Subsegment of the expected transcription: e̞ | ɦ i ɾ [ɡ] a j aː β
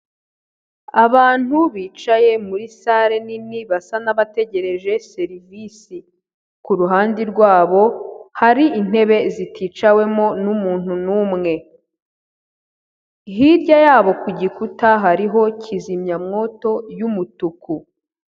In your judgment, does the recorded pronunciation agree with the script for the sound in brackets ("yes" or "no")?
no